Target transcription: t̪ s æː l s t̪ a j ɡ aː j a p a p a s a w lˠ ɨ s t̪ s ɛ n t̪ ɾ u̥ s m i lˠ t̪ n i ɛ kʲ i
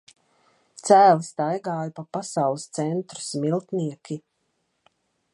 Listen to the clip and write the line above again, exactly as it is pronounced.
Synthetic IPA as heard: t̪ s æː l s t̪ a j ɡ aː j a p a p a s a w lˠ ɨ s t̪ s ɛ n t̪ ɾ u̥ s m i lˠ t̪ n i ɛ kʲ i